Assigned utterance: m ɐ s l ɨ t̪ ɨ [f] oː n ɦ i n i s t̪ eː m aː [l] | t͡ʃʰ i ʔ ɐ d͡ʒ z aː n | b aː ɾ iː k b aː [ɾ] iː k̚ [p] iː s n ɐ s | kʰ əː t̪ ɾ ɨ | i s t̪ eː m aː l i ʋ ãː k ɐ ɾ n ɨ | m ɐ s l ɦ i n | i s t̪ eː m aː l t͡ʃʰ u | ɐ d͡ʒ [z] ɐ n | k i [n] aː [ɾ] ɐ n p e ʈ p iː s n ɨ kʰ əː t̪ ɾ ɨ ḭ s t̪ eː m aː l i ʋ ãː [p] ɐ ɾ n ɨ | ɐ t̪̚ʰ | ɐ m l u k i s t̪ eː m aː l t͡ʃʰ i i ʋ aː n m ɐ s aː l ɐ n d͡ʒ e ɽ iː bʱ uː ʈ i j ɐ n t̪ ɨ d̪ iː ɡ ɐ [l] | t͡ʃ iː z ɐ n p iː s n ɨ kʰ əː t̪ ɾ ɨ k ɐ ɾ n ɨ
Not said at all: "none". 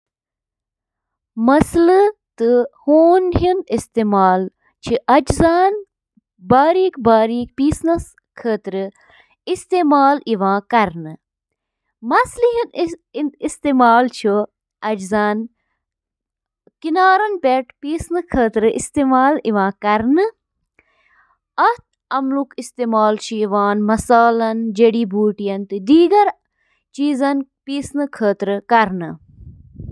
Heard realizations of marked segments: h, l, ɾ, p, z, n, ɾ, k, ɾ

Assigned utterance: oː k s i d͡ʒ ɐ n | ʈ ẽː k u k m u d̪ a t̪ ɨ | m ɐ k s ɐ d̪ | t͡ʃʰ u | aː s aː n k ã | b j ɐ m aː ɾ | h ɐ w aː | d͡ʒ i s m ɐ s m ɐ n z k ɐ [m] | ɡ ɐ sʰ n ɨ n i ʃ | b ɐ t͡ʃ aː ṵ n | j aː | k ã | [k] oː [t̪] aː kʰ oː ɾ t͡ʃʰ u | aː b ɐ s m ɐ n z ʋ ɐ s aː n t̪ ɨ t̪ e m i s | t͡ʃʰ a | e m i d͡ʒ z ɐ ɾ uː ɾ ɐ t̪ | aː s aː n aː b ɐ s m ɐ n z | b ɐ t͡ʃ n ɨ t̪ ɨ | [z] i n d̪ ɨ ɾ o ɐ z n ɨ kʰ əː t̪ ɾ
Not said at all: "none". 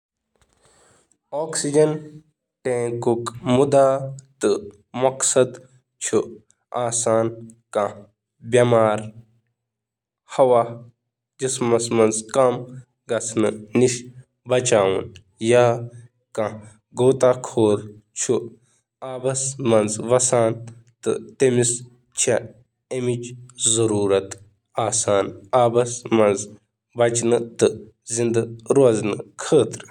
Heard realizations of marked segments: m, ɡ, t̪, z

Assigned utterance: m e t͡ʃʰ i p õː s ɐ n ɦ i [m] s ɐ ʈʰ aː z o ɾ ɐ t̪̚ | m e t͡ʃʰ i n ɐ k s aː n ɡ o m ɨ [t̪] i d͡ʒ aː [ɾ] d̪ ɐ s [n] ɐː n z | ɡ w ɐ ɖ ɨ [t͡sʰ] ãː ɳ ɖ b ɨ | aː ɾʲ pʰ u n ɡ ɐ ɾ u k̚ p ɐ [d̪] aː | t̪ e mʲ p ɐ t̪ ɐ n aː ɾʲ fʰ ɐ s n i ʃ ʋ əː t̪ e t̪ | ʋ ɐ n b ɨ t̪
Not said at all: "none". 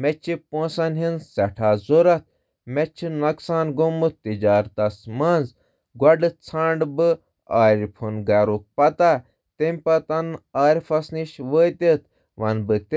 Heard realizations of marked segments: n, t̪, ɾ, m, t͡sʰ, t̪

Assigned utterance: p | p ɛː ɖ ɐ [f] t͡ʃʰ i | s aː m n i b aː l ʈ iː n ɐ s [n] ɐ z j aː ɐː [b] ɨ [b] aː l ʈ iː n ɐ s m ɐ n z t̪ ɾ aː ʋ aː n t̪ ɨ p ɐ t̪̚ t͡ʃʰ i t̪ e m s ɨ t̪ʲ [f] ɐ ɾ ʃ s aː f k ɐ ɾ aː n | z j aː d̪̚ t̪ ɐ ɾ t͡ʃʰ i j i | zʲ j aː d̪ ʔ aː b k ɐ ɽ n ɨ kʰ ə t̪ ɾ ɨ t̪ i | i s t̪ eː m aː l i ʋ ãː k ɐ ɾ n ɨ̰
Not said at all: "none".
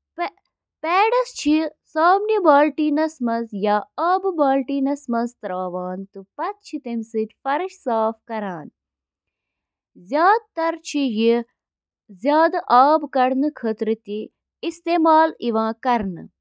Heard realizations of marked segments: s, m, b, b, f

